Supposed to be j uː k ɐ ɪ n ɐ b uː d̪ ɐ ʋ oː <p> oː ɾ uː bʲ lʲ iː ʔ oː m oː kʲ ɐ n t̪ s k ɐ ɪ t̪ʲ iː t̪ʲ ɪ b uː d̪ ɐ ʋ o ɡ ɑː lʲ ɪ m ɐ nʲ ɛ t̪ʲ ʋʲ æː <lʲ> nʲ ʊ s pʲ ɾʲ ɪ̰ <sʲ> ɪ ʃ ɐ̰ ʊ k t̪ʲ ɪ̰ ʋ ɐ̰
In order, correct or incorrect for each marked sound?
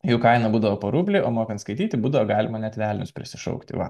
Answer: correct, correct, correct

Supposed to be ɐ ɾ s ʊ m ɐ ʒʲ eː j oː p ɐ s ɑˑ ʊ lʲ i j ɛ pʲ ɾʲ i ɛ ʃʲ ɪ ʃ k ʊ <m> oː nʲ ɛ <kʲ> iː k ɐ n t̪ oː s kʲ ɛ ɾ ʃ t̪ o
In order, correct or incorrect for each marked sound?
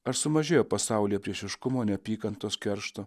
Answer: correct, incorrect: pʲ

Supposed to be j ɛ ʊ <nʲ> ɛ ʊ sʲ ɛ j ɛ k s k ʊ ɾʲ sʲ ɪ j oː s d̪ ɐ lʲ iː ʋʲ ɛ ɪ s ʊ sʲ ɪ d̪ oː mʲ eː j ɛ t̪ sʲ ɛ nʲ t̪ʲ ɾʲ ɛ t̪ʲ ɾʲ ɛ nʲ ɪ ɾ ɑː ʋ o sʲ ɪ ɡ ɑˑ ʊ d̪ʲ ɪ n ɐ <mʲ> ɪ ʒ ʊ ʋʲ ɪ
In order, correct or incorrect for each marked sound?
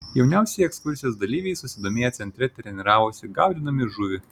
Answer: correct, correct

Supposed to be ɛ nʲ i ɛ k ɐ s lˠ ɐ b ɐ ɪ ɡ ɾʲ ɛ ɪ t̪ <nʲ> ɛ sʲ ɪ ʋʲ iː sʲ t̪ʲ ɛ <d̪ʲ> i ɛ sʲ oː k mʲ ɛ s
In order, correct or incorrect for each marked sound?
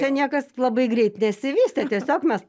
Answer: correct, incorrect: t̪ʲ

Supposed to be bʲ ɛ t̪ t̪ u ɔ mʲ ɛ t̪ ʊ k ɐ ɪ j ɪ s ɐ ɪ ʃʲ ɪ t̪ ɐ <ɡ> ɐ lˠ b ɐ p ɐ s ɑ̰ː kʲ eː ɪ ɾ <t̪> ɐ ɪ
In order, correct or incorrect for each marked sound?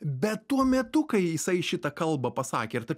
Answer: incorrect: k, correct

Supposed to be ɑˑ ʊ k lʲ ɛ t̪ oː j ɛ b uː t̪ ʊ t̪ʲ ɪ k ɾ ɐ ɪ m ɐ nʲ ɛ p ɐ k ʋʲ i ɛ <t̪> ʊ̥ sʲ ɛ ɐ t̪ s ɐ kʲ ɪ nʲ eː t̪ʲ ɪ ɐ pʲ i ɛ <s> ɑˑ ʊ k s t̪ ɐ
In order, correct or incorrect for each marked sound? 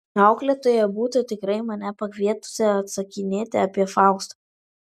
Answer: correct, incorrect: f

